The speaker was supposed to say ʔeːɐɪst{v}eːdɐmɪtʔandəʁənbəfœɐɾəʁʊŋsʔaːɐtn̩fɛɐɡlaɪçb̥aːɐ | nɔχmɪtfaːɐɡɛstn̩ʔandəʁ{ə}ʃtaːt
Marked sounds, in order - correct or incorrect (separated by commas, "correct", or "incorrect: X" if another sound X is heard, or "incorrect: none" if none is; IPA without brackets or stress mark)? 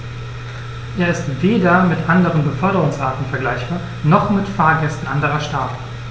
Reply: correct, incorrect: ɐ